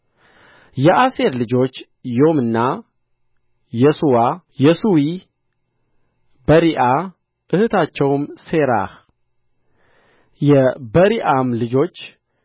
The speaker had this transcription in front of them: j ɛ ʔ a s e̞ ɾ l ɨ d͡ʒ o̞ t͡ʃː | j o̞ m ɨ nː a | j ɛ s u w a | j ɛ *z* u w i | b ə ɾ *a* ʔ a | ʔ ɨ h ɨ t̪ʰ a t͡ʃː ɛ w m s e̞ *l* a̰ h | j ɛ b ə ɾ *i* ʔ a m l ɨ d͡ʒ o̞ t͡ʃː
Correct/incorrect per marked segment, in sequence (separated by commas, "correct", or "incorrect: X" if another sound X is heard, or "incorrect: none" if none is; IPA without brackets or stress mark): incorrect: s, incorrect: i, incorrect: ɾ, correct